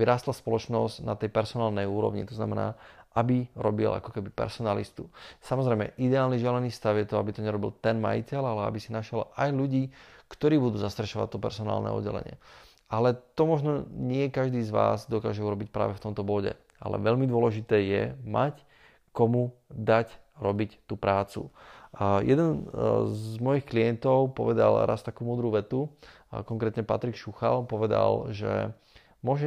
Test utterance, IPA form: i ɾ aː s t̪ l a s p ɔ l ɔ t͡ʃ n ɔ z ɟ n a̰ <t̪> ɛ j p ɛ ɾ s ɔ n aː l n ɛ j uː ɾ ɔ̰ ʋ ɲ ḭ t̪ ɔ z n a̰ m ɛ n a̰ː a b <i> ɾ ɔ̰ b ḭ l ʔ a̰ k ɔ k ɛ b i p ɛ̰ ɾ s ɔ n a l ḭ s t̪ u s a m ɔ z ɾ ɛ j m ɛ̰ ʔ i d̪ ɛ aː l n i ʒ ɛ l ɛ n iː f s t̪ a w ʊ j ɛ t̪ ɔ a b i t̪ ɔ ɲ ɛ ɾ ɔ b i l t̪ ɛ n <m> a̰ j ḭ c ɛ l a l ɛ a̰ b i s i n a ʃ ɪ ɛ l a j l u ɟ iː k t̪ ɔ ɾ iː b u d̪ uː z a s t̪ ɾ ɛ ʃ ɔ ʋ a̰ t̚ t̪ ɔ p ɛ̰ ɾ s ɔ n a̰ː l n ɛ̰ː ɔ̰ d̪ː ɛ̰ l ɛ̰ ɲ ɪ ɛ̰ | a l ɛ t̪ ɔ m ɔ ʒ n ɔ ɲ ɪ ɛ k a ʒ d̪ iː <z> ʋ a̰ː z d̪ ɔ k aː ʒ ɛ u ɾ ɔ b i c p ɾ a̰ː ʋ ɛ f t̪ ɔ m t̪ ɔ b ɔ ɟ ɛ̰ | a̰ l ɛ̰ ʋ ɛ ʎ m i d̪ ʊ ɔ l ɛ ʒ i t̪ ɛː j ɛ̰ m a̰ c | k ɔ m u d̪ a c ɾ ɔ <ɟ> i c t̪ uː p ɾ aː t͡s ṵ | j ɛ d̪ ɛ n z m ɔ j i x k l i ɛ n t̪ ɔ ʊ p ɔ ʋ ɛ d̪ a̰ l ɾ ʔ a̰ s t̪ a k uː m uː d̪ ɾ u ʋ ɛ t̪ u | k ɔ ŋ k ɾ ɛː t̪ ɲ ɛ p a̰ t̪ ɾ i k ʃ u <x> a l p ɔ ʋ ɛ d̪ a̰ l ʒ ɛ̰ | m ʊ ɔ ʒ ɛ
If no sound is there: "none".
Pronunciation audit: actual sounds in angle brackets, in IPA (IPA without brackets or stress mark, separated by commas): t̪, i, m, z, b, x